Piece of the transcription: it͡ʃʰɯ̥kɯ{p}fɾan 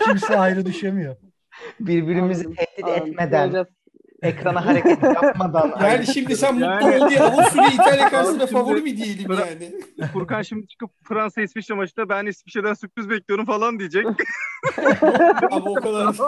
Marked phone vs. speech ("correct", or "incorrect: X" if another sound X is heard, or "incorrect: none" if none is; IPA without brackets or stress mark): correct